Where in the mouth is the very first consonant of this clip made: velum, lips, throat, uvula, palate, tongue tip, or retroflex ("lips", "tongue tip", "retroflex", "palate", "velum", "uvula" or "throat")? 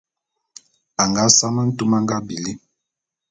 velum